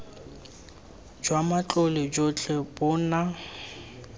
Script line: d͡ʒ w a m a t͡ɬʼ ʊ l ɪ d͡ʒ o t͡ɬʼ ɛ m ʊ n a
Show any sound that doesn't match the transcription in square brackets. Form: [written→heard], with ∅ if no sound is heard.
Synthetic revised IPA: d͡ʒ w a m a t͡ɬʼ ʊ l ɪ d͡ʒ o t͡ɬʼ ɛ [m→b] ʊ n a